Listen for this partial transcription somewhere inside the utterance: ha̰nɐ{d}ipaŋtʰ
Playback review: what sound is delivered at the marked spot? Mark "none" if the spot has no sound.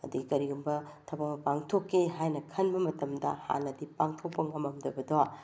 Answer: d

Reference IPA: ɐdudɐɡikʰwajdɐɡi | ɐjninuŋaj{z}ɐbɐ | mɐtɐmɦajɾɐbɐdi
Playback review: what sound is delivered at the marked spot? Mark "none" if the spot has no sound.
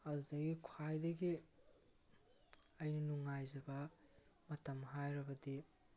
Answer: z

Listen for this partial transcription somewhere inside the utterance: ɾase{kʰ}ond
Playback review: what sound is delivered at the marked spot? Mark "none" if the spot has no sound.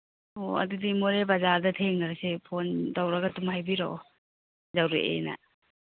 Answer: pʰ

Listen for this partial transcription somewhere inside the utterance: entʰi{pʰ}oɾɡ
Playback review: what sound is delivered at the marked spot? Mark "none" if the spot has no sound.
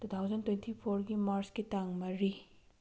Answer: pʰ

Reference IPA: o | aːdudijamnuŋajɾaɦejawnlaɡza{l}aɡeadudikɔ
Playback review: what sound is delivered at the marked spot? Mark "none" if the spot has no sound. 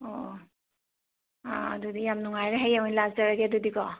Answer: ɾ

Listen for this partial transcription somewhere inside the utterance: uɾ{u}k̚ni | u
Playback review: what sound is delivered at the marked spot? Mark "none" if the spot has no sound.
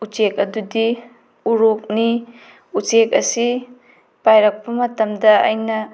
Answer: o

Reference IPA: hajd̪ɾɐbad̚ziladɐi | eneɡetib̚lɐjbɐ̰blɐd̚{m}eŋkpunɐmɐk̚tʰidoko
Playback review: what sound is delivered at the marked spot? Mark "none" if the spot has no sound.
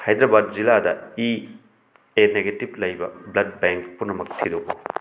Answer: b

